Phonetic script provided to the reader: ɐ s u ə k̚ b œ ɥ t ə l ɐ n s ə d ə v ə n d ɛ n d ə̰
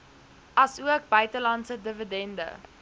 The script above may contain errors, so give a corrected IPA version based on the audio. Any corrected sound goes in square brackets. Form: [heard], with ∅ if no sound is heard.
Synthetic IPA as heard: ɐ s u ə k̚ b œ ɥ t ə l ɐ n s ə d ə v ə [∅] d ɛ n d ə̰